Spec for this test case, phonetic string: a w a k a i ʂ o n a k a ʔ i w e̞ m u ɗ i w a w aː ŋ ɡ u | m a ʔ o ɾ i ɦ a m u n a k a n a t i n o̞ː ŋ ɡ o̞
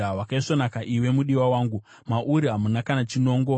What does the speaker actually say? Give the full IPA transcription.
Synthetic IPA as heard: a w a k a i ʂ o n a k a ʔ i w e̞ m u ɗ i w a w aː ŋ ɡ u | m a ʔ u ɾ i ɦ a m u n a k a n a t͡ʃ i n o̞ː ŋ ɡ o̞